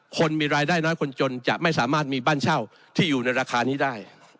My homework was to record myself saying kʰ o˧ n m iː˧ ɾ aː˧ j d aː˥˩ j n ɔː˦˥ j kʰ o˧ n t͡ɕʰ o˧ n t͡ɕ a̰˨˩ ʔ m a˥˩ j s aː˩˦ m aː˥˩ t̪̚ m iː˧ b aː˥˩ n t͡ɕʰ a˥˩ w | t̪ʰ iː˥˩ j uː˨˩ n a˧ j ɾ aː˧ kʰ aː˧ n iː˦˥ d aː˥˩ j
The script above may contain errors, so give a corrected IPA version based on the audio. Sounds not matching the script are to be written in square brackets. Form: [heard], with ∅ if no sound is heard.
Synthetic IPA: kʰ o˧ n m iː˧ ɾ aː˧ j d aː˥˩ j n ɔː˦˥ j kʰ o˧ n [t͡ɕ] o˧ n t͡ɕ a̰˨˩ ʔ m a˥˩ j s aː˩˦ m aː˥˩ t̪̚ m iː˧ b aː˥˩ n t͡ɕʰ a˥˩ w | t̪ʰ iː˥˩ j uː˨˩ n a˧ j ɾ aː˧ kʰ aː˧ n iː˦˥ d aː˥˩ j